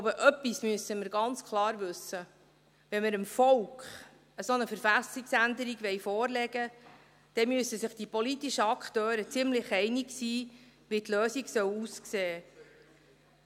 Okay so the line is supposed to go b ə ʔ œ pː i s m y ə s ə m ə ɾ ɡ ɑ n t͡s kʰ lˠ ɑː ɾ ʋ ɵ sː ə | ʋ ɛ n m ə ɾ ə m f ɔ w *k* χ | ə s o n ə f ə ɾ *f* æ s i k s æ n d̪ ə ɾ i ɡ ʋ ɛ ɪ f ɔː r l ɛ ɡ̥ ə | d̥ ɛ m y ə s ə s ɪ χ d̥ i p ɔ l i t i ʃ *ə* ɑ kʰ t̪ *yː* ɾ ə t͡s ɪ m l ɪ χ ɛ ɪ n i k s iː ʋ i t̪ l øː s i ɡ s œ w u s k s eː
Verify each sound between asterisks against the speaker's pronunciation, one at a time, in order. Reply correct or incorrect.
correct, correct, correct, incorrect

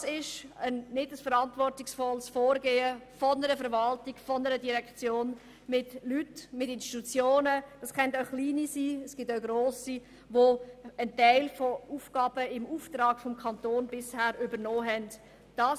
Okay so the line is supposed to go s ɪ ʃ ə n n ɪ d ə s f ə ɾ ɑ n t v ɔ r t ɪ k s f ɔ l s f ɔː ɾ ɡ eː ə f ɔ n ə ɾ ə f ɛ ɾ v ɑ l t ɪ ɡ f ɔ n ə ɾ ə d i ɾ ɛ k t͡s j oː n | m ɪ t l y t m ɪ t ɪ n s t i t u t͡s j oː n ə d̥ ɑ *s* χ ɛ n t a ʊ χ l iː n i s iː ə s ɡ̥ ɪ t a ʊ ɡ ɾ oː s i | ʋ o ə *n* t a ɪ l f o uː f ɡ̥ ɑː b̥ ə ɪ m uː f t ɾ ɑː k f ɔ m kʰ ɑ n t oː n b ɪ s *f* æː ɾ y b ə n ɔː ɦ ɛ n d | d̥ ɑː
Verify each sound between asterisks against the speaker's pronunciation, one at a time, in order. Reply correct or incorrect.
correct, correct, incorrect

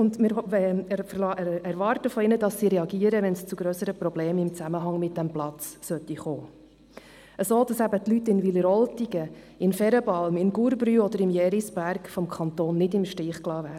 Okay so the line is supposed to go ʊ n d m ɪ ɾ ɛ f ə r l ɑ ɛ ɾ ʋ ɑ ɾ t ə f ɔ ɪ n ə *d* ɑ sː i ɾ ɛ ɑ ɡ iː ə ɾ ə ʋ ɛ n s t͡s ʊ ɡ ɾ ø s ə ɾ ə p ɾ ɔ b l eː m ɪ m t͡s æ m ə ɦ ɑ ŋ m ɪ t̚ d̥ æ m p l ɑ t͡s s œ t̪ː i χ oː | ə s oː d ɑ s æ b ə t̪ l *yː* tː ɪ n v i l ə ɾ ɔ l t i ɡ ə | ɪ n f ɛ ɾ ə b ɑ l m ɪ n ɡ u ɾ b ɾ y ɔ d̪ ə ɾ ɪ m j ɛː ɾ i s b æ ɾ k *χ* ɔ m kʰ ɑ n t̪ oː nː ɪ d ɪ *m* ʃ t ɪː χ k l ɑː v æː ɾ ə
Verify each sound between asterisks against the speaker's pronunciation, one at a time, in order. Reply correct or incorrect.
correct, incorrect, incorrect, correct

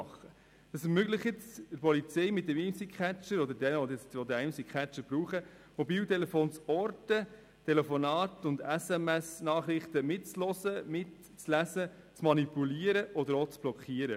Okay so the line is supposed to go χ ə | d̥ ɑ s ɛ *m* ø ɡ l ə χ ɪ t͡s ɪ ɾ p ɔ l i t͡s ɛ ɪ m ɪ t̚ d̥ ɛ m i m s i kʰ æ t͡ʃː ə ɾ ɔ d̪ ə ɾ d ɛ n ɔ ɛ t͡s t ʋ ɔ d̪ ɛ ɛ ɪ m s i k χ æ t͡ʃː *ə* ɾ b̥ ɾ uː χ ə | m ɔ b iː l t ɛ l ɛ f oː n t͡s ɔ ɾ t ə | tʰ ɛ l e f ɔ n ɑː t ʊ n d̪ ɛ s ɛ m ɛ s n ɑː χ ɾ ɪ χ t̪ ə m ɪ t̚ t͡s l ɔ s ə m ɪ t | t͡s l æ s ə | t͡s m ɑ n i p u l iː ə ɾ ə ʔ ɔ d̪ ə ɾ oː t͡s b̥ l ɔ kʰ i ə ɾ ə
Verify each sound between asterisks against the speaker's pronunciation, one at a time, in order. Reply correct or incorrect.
correct, correct

